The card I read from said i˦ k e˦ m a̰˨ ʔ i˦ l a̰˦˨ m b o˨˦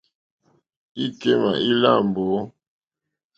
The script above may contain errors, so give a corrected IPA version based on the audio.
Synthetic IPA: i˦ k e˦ m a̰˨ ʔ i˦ l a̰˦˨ m b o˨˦